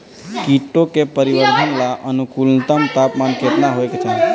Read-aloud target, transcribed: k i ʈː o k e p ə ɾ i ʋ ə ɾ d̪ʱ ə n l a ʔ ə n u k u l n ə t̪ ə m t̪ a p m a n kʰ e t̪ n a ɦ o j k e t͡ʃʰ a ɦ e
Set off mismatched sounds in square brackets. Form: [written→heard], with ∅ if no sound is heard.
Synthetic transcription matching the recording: k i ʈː o k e p ə ɾ i ʋ ə ɾ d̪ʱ ə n l a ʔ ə n u k u l n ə t̪ ə m t̪ a p m a n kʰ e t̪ n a ɦ o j k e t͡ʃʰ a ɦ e